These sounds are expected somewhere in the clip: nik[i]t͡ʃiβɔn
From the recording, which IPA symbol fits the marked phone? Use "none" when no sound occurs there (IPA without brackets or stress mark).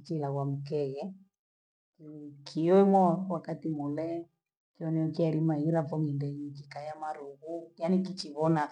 i